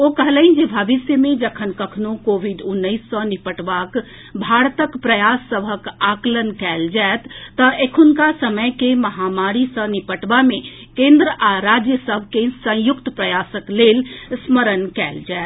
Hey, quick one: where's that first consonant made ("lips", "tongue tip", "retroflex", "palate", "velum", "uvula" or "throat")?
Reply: velum